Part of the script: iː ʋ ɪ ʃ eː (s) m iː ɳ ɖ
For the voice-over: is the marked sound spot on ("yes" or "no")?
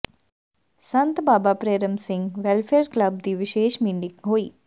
no